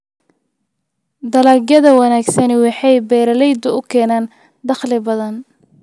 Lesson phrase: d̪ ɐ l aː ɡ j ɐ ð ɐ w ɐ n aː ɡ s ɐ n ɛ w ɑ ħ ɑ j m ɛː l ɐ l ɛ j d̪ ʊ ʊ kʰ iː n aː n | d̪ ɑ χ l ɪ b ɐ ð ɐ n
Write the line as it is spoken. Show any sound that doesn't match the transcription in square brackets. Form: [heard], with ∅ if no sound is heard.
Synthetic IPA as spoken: d̪ ɐ l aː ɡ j ɐ ð ɐ w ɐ n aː ɡ s ɐ n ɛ w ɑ ħ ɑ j [b] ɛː [ɾ] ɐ l ɛ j d̪ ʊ ʊ kʰ [ɛː] n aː n | d̪ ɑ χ l ɪ b ɐ ð ɐ n

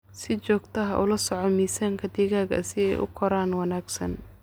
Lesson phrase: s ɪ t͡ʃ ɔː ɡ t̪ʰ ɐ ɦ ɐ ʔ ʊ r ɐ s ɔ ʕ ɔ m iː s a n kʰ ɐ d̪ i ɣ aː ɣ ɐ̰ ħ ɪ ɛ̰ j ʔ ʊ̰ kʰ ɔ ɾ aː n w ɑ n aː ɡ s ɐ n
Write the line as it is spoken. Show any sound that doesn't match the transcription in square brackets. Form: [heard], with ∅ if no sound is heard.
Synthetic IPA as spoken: s ɪ t͡ʃ ɔː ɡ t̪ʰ ɐ ɦ ɐ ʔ ʊ [l] ɐ s ɔ ʕ ɔ m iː s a [ŋ] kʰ ɐ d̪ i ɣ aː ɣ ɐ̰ [s] ɪ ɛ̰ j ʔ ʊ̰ kʰ ɔ ɾ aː n w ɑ n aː ɡ s ɐ n

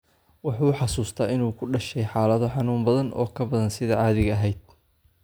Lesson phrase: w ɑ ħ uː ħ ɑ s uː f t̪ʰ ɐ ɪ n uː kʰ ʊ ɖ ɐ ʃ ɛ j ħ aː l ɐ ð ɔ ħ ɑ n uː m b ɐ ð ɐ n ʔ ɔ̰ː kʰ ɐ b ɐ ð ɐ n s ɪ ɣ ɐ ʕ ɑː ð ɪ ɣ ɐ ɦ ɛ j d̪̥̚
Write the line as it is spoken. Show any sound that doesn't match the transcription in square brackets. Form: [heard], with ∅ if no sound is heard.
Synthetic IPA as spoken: w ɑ ħ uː ħ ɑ s uː [s] t̪ʰ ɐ ɪ n uː kʰ ʊ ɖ ɐ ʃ ɛ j ħ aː l ɐ ð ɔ ħ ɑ n uː m b ɐ ð ɐ n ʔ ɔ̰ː kʰ ɐ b ɐ ð ɐ n s ɪ [ð] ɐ ʕ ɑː ð ɪ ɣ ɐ ɦ ɛ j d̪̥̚

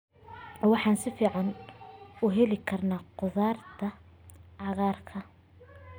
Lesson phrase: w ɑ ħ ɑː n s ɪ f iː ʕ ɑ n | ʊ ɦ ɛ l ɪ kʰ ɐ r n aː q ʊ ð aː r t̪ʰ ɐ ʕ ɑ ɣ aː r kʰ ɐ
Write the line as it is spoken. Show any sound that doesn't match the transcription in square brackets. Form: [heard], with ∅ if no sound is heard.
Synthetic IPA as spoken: w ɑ ħ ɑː n s ɪ f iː ʕ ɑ n | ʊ ɦ ɛ l ɪ kʰ ɐ r n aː q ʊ ð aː r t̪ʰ ɐ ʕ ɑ ɣ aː r kʰ ɐ

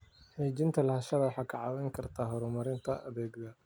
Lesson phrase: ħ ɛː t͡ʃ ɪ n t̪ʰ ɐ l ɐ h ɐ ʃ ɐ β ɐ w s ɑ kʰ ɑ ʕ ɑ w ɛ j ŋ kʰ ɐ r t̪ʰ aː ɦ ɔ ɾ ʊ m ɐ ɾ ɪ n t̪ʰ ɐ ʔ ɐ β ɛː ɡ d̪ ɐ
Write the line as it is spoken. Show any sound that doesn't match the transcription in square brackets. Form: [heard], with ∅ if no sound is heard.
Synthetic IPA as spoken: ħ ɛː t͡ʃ ɪ n t̪ʰ ɐ l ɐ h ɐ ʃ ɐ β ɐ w [ħ] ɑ kʰ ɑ ʕ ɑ w ɛ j ŋ kʰ ɐ r t̪ʰ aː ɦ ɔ ɾ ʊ m ɐ ɾ ɪ n t̪ʰ ɐ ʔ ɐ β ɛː ɡ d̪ ɐ

